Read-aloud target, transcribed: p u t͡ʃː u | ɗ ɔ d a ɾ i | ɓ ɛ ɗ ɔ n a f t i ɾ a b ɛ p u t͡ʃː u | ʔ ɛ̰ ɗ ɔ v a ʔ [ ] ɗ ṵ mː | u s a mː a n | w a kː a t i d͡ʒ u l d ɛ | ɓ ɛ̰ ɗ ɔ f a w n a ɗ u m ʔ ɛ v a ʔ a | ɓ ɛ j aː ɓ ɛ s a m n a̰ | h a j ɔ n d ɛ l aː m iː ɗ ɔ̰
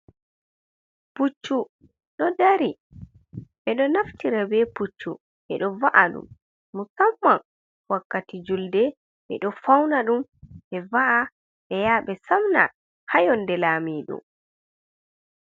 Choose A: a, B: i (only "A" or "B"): A